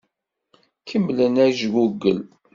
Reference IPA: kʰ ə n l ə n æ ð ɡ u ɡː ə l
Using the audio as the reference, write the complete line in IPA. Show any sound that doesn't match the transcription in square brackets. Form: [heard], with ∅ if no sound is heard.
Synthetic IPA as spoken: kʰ ə [m] l ə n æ [ʒ] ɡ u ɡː ə l